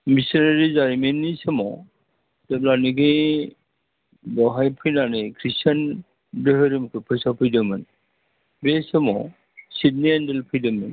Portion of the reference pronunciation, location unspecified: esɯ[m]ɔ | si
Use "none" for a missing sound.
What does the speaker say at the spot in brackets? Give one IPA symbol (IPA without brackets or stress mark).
m